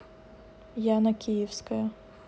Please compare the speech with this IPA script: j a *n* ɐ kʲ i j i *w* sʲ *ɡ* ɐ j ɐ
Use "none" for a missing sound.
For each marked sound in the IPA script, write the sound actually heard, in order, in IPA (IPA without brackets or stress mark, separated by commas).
n, w, k